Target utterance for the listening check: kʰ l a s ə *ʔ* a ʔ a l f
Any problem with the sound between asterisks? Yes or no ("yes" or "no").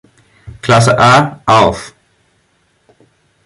no